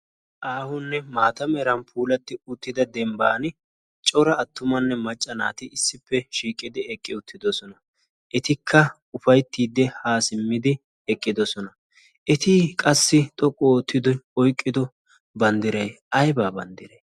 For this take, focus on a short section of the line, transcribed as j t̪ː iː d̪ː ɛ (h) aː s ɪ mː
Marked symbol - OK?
yes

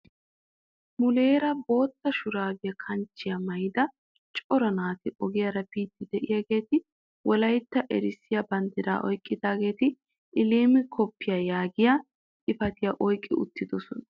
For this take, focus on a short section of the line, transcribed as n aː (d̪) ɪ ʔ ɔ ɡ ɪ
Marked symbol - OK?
no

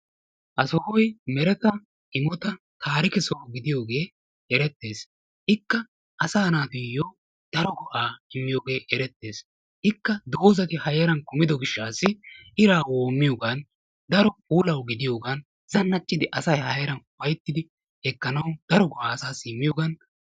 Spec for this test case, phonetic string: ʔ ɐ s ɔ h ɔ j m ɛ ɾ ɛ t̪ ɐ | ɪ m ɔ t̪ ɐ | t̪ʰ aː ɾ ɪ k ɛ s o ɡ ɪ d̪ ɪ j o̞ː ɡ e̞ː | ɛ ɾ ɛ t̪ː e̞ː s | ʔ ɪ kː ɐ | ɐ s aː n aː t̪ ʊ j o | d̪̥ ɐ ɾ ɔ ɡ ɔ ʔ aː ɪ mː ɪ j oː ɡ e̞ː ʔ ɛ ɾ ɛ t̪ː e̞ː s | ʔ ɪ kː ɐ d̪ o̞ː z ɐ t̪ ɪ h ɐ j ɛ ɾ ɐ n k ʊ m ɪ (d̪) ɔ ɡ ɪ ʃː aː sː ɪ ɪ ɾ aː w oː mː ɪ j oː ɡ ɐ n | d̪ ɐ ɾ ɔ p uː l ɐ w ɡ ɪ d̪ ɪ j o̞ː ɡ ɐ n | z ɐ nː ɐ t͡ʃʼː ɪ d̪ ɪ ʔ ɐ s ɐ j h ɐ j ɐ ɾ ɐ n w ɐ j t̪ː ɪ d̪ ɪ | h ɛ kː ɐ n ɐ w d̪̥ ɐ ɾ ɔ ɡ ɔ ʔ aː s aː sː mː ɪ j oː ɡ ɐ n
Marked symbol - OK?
yes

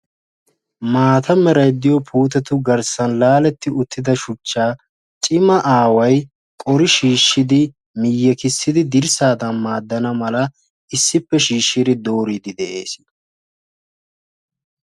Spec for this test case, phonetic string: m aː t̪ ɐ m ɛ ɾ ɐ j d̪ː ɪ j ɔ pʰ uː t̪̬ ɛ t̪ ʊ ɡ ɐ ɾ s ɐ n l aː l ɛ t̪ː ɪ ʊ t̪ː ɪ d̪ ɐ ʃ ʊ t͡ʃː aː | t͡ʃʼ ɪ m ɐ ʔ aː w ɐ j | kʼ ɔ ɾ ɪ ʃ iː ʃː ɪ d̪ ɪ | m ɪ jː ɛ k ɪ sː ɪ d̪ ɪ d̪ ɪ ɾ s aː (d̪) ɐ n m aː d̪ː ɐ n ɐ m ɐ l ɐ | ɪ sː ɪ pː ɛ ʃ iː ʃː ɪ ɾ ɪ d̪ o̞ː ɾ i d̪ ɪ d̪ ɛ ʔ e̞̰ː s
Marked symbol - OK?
yes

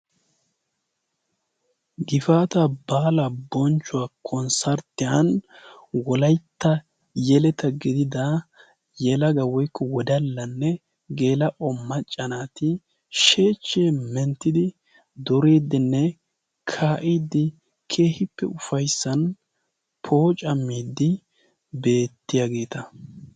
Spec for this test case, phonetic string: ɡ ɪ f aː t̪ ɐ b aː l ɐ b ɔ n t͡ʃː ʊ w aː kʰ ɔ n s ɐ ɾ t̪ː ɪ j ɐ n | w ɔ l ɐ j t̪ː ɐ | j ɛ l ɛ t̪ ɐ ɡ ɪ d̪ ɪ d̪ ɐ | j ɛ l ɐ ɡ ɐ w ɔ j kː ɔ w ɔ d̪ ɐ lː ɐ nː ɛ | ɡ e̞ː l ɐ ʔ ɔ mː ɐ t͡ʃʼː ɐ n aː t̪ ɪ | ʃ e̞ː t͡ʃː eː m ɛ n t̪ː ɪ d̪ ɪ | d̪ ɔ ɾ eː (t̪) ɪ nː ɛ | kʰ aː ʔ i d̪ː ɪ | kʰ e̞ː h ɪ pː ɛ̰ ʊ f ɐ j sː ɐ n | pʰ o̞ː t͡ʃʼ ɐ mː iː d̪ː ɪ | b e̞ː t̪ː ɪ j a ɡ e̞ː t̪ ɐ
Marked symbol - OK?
no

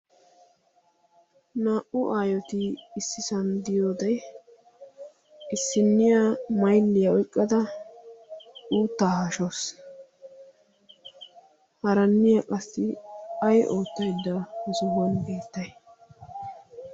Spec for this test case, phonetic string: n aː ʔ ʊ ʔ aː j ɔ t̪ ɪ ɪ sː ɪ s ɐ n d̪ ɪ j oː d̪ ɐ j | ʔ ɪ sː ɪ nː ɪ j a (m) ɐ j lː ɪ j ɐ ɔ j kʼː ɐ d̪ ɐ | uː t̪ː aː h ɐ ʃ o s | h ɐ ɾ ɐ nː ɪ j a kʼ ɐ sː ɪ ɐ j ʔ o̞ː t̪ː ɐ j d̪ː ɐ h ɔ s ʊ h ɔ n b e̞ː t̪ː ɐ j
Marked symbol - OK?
yes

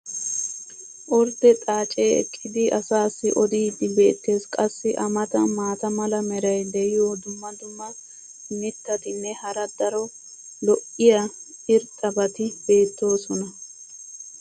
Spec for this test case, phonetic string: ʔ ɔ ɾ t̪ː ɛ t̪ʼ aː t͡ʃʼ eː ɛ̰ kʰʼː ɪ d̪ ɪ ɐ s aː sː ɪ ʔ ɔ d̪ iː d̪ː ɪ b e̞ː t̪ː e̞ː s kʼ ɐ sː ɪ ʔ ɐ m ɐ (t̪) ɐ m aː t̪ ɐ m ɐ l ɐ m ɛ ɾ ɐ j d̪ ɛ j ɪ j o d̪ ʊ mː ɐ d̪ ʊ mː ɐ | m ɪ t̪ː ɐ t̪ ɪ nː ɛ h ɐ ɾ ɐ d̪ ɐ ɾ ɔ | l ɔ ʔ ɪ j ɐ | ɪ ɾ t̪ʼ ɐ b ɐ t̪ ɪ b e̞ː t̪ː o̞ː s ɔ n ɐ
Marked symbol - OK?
yes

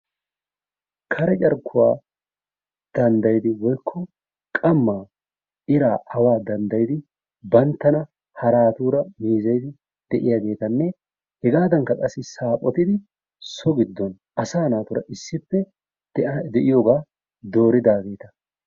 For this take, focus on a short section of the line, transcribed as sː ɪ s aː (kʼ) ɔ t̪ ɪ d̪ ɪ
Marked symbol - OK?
no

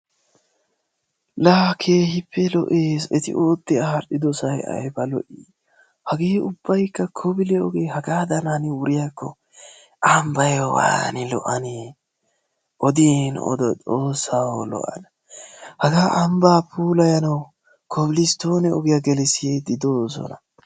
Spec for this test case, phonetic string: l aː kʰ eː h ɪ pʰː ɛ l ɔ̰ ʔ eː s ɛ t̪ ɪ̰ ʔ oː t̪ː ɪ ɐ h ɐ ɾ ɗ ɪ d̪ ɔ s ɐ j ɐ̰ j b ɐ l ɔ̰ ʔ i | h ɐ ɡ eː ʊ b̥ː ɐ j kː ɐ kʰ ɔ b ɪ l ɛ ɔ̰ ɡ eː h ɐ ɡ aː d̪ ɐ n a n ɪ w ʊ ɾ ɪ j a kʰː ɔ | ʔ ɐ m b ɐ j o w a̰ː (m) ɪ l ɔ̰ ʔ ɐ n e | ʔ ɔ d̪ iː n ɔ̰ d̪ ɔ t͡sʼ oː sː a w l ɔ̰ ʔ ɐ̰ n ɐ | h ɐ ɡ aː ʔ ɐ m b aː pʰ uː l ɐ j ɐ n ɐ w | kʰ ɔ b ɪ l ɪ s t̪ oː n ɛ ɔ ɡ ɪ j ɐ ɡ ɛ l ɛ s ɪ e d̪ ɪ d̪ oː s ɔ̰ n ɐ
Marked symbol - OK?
no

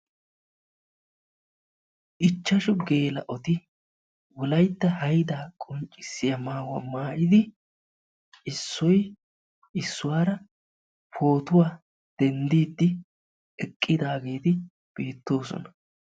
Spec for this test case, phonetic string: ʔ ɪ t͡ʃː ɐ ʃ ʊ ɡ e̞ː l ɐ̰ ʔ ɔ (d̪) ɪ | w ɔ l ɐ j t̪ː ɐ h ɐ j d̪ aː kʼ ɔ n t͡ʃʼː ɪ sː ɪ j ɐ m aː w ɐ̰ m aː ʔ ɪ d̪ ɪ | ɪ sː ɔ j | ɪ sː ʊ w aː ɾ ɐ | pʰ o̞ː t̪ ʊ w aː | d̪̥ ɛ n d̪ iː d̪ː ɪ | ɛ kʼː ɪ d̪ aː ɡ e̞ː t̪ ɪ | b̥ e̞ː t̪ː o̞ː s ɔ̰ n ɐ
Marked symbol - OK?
no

